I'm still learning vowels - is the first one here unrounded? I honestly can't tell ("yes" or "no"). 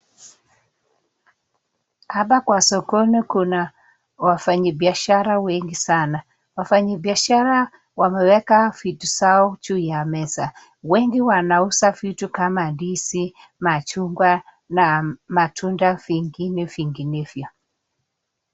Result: yes